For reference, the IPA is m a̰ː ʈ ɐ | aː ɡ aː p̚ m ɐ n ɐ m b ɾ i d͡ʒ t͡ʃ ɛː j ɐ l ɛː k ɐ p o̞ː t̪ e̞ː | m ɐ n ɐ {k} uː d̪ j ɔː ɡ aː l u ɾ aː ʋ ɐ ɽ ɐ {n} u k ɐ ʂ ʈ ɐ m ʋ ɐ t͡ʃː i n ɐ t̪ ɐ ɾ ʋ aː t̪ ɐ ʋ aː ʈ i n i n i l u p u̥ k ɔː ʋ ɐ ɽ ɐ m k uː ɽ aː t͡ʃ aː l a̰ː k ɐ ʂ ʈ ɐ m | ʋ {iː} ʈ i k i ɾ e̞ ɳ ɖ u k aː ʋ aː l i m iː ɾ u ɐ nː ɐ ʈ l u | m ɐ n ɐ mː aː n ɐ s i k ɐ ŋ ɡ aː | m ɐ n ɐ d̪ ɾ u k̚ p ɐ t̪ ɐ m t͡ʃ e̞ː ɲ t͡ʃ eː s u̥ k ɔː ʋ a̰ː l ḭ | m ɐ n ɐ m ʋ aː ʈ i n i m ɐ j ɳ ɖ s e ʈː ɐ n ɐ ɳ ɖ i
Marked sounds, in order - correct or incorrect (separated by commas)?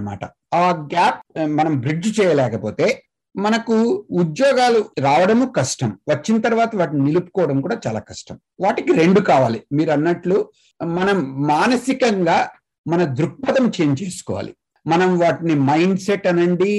correct, incorrect, incorrect